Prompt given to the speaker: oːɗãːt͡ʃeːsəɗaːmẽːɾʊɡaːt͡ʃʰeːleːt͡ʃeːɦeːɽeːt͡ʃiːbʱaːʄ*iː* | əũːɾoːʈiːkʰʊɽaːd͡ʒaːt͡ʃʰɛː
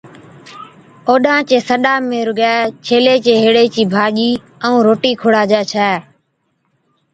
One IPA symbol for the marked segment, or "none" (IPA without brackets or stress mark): iː